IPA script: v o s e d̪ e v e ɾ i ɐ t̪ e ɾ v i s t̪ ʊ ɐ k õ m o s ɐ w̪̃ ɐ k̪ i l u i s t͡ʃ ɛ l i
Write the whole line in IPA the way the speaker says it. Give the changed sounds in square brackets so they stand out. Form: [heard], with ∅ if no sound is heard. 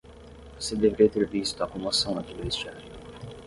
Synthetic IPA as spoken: v o s e d̪ e v e ɾ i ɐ t̪ e ɾ v i s t̪ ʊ ɐ k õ m o s [ɐ̃] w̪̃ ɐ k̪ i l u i s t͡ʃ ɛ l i